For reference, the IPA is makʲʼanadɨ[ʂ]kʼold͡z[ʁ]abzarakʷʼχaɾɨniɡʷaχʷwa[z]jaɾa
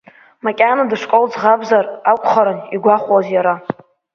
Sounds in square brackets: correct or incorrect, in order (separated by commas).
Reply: correct, correct, correct